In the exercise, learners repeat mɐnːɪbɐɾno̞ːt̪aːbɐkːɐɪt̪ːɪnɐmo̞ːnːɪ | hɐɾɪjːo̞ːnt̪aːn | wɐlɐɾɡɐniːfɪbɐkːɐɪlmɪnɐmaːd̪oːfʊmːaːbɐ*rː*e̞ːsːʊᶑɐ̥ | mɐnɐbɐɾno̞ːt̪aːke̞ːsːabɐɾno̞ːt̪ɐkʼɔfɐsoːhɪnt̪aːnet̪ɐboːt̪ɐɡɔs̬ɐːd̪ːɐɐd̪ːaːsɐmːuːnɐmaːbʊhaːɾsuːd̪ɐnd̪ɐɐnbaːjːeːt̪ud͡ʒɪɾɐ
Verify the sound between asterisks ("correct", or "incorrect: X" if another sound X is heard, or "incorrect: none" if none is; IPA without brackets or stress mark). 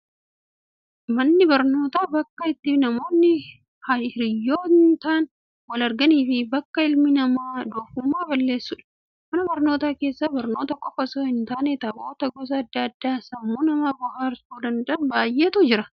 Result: incorrect: lː